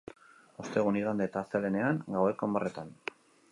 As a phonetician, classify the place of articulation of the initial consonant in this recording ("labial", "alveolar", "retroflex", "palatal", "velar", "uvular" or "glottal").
alveolar